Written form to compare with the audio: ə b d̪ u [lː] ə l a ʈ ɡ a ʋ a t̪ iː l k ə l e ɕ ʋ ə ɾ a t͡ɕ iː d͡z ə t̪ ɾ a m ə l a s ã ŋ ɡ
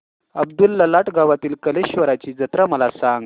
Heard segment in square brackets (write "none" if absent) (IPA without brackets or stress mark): lː